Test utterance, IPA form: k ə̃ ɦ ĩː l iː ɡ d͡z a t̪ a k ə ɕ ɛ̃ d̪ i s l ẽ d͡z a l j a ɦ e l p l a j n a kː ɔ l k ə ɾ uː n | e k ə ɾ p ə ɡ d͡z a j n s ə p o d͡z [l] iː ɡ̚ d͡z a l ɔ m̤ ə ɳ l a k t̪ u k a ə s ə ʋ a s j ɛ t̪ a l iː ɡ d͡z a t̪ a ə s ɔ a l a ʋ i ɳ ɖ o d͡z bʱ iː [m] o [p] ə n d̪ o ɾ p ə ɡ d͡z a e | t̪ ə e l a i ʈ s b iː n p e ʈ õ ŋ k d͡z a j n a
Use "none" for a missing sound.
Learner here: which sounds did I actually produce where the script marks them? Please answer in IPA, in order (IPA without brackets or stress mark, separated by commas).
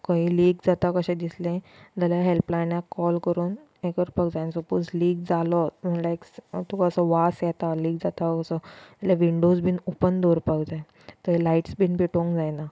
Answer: l, n, p